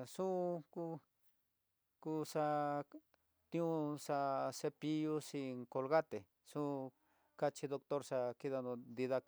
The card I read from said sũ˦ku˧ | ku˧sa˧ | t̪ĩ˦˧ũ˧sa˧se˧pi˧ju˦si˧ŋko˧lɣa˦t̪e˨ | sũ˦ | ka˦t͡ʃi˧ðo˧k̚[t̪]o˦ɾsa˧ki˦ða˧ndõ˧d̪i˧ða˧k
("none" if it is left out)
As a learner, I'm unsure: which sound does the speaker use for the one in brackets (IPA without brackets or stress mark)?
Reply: t̪